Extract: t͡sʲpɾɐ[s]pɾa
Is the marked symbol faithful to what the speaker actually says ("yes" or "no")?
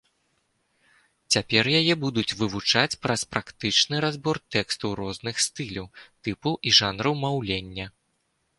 yes